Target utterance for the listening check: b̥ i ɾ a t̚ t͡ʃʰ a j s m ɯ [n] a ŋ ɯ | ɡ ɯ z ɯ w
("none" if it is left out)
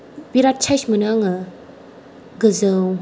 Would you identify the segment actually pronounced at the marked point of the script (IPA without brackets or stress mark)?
n